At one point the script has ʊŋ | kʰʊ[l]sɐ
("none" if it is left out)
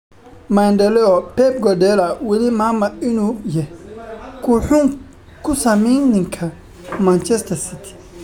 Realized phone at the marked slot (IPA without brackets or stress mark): none